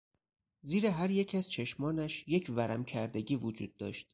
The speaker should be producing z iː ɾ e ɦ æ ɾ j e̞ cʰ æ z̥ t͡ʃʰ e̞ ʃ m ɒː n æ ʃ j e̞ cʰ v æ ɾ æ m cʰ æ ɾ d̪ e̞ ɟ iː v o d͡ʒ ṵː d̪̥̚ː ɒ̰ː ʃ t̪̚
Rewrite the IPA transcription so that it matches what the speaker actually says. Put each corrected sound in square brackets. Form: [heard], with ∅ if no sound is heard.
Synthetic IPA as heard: z iː ɾ e ɦ æ ɾ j e̞ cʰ æ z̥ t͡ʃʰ e̞ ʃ m ɒː n æ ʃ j e̞ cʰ v æ ɾ æ m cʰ æ ɾ d̪ e̞ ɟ iː v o d͡ʒ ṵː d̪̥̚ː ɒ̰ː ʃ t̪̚